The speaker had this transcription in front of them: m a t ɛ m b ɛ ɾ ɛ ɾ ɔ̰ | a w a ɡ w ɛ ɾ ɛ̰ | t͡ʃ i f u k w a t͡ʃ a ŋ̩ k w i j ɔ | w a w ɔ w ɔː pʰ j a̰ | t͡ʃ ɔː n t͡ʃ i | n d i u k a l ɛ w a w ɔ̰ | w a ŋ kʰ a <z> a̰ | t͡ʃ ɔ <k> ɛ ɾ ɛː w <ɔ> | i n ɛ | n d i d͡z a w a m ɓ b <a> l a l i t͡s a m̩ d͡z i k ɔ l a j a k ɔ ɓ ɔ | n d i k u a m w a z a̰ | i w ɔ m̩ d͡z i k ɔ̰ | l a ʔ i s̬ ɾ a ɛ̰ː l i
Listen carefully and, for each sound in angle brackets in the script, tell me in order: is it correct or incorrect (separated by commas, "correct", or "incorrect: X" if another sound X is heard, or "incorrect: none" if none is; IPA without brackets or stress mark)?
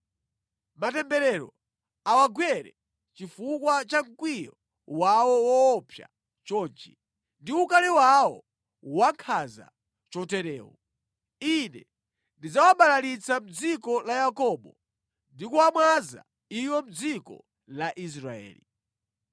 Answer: correct, incorrect: t, correct, correct